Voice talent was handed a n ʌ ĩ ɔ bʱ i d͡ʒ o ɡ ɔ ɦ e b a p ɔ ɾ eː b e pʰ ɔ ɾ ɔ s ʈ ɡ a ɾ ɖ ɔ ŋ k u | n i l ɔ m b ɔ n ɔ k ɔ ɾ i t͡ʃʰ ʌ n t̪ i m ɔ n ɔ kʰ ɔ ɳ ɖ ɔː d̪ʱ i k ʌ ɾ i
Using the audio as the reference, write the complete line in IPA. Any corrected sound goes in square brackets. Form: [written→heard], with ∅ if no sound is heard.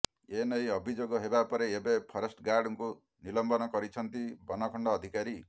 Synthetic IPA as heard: [a→e] n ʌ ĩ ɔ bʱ i d͡ʒ o ɡ ɔ ɦ e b a p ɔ ɾ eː b e pʰ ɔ ɾ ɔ s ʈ ɡ a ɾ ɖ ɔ ŋ k u | n i l ɔ m b ɔ n ɔ k ɔ ɾ i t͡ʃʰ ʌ n t̪ i [m→b] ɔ n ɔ kʰ ɔ ɳ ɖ ɔː d̪ʱ i k [ʌ→a] ɾ i